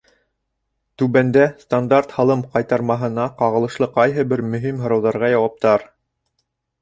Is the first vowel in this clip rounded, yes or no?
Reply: yes